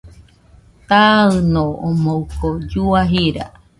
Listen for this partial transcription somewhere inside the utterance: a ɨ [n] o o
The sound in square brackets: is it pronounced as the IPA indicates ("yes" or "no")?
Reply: yes